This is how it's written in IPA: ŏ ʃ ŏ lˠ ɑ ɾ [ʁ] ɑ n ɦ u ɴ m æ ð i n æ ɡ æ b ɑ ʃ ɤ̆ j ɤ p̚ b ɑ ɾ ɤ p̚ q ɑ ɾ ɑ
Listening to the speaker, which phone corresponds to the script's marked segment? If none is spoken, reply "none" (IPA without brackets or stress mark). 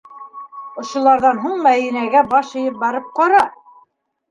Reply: ð